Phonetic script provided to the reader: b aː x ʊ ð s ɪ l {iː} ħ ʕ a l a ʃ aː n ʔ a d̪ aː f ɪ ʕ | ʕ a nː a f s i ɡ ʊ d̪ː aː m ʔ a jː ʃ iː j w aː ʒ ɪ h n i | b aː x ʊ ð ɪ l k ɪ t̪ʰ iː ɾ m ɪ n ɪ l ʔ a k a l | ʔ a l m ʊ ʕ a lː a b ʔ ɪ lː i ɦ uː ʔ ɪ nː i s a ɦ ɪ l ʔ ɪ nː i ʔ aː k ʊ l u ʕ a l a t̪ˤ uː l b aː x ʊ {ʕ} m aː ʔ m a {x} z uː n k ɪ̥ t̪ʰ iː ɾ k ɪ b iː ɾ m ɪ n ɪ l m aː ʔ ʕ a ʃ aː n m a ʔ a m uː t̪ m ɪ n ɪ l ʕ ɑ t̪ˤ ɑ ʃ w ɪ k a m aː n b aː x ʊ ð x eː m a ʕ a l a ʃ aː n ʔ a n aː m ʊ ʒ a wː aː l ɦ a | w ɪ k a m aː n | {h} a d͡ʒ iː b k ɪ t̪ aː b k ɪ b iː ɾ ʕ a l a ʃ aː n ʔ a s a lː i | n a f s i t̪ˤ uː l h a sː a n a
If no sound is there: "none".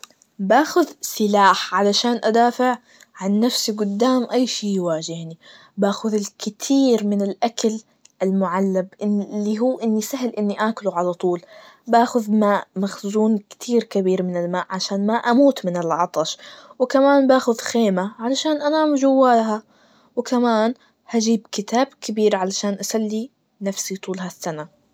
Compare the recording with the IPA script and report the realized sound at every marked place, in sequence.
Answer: aː, ð, x, h

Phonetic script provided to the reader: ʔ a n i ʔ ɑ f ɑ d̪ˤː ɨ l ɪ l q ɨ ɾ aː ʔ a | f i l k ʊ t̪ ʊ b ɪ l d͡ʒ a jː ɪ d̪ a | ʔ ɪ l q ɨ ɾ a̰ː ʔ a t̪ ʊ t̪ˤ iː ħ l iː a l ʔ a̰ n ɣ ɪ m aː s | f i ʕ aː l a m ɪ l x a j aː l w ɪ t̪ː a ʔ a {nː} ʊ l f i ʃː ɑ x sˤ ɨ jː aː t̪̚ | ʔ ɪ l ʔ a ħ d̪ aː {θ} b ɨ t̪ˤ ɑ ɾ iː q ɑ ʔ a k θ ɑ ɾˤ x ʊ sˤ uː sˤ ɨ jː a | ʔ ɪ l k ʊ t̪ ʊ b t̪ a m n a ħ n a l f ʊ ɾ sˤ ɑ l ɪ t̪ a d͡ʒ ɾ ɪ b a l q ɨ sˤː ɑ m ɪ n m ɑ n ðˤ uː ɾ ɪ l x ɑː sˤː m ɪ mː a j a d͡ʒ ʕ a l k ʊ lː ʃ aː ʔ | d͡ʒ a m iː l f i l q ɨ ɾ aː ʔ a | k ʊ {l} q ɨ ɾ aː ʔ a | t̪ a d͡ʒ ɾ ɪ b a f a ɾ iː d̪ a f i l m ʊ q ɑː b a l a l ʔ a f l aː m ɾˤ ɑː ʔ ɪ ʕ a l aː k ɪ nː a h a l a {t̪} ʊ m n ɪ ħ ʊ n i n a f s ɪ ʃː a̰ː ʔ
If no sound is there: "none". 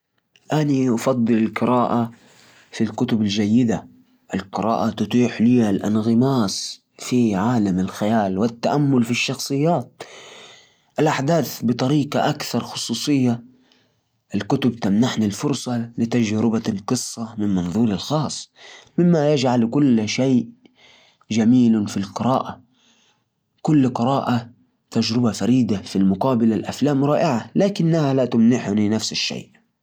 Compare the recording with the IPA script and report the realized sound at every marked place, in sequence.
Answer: mː, θ, lː, t̪

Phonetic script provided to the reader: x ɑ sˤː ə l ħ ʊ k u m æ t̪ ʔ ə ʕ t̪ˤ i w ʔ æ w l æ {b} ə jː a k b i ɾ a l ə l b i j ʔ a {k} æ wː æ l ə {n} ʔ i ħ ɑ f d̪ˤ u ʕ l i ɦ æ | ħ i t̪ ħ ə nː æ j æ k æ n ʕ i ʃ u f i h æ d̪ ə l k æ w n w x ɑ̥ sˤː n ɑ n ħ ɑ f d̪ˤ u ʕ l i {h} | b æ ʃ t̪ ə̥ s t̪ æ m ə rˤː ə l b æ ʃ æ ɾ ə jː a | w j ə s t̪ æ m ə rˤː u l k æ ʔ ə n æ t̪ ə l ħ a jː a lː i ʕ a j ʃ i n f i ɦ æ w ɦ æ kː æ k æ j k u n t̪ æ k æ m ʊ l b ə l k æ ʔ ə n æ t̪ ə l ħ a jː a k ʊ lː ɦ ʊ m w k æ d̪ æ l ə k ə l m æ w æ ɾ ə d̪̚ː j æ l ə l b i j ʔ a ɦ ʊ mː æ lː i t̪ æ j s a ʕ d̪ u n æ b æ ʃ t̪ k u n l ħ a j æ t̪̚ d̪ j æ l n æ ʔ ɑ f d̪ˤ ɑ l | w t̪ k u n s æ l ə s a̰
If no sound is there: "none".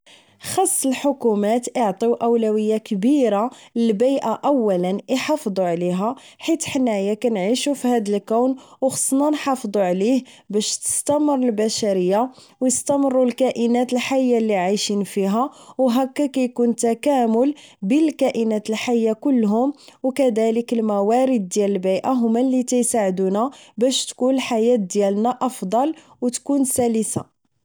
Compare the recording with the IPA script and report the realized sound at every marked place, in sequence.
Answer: w, ʔ, n, h

